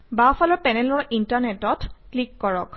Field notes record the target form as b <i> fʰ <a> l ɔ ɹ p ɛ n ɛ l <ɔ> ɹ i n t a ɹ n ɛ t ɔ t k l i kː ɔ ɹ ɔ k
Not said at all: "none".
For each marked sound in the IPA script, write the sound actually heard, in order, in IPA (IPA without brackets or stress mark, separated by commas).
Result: a, a, ɔ